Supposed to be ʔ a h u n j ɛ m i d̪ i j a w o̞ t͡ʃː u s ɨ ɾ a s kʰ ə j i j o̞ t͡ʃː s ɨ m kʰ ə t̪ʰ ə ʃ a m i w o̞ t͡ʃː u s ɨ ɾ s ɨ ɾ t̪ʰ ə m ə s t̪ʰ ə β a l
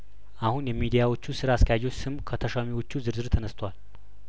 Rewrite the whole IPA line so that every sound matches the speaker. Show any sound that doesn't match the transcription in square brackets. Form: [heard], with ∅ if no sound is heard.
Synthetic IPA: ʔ a h u n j ɛ m i d̪ i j a w o̞ t͡ʃː u s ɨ ɾ a s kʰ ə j [a] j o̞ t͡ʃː s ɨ m kʰ ə t̪ʰ ə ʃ a m i w o̞ t͡ʃː u [z] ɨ ɾ [z] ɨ ɾ t̪ʰ ə [n] ə s t̪ʰ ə [w] a l